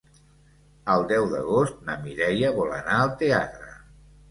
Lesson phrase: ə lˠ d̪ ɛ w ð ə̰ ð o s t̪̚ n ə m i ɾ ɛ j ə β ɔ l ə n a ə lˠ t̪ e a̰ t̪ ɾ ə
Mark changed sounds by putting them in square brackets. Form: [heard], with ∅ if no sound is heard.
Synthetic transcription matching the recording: ə lˠ d̪ ɛ w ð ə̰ [ɣ] o s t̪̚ n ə m i ɾ ɛ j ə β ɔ l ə n a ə lˠ t̪ e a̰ t̪ ɾ ə